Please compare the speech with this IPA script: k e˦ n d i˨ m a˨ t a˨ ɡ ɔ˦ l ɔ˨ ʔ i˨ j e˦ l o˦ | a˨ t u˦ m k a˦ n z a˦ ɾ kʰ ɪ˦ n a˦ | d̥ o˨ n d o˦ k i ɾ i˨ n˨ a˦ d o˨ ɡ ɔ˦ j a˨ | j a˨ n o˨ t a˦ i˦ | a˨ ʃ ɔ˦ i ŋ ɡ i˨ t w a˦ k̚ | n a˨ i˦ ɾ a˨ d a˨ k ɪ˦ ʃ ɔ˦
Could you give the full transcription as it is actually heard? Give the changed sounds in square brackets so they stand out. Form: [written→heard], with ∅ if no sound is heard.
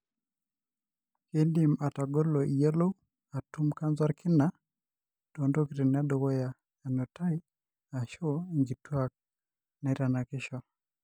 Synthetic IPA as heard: k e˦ n d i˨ m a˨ t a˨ ɡ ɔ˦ l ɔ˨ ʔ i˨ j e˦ l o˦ | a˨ t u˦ m k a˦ n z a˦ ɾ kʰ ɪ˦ n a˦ | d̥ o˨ n d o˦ k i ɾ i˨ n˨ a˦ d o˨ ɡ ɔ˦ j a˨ | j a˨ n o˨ t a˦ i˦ | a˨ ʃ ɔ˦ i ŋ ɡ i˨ t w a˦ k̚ | n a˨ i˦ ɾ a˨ [d→n] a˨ k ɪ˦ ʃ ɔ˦